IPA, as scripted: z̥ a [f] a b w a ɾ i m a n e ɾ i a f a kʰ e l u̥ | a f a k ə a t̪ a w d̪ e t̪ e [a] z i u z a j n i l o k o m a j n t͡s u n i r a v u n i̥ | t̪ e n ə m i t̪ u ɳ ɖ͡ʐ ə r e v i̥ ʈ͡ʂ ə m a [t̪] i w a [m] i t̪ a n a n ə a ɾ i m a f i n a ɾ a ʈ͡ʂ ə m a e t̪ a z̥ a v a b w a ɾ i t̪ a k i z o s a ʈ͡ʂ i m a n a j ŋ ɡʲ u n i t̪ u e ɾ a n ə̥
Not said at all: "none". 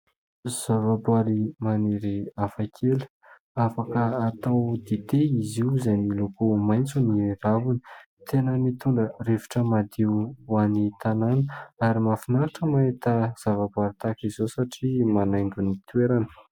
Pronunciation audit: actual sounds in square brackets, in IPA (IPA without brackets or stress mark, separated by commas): v, i, d̪, n